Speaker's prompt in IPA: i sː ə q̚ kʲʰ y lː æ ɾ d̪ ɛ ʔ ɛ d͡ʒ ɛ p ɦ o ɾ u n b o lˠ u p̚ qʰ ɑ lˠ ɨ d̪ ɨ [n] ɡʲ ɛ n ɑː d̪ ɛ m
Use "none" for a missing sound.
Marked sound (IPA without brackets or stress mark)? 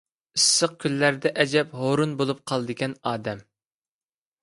none